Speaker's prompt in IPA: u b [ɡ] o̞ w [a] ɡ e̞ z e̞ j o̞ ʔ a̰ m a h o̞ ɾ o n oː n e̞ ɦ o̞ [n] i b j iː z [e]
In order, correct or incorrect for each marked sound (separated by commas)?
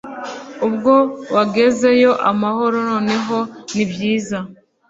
correct, correct, correct, incorrect